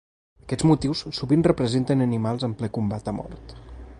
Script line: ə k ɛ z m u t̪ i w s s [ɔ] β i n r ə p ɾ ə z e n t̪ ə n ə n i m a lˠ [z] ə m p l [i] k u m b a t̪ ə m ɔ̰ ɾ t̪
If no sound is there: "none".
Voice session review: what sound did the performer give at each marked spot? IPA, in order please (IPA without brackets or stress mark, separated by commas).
u, z, ɛ